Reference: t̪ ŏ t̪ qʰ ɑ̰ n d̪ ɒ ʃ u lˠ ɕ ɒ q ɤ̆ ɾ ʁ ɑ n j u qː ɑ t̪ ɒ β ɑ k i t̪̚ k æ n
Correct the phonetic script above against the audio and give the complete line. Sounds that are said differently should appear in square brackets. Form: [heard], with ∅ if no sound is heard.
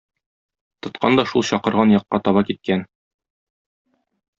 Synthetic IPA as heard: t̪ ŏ t̪ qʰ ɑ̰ n d̪ ɒ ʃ u lˠ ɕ ɒ q ɤ̆ ɾ ʁ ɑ n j [ɒ] qː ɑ t̪ ɒ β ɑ k i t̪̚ k æ n